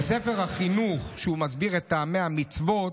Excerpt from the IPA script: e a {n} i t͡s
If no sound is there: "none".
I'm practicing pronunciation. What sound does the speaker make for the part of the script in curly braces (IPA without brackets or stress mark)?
m